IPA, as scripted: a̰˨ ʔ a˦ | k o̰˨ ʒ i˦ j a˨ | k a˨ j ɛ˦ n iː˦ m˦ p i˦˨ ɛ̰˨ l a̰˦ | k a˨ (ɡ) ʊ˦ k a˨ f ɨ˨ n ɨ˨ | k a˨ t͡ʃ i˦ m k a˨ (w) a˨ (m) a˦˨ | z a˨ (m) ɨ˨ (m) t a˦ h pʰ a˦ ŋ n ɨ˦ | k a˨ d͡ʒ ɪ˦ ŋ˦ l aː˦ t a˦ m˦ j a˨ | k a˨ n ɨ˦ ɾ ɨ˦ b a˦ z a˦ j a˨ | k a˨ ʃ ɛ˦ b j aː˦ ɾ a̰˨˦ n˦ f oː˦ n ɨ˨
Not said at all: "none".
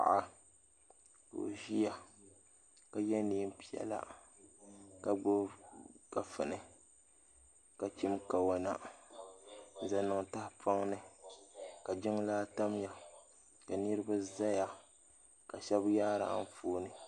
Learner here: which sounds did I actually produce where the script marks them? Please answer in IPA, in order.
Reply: ɡ͡b, w, n, n, ŋ

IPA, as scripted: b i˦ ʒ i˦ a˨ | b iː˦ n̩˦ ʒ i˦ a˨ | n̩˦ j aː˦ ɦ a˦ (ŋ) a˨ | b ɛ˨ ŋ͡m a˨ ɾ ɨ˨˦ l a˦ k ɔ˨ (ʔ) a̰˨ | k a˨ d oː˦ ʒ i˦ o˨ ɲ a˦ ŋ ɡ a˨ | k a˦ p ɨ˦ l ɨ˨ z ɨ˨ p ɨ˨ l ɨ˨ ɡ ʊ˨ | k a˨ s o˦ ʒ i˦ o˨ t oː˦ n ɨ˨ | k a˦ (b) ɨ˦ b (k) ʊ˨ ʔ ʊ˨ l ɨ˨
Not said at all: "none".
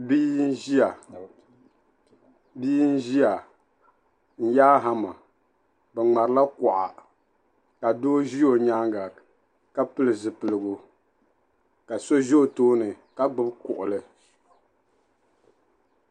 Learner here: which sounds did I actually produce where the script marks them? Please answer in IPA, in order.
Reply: m, ʔ, ɡ͡b, k

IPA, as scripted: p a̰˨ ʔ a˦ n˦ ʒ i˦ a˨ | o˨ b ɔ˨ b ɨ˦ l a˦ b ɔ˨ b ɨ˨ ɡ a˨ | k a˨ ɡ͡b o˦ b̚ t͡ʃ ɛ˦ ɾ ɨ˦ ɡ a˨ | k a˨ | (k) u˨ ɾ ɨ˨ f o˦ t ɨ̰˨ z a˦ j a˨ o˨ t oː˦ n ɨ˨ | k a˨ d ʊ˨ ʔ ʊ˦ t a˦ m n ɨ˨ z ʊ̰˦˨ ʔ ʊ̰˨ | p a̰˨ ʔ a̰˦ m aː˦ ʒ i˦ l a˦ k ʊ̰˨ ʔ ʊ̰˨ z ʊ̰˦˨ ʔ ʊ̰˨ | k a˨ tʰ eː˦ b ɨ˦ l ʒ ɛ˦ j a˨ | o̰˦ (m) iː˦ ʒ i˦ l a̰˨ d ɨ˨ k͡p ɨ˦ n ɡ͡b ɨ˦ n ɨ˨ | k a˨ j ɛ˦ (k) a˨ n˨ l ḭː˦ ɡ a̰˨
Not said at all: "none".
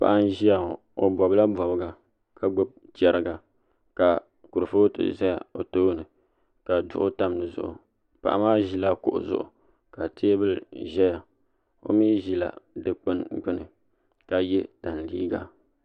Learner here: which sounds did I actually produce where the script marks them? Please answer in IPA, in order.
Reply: k, m, t

